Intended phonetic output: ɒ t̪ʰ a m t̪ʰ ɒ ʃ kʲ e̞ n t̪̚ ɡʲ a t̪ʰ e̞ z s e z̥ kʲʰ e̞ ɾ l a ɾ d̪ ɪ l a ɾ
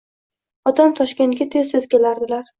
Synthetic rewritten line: ɒ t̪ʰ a m t̪ʰ ɒ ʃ kʲ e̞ n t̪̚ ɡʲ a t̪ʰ e̞ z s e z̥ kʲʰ e̞ l a ɾ d̪ ɪ l a ɾ